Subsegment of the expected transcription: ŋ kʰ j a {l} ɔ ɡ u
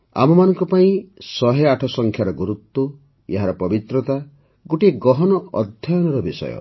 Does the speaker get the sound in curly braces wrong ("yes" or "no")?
yes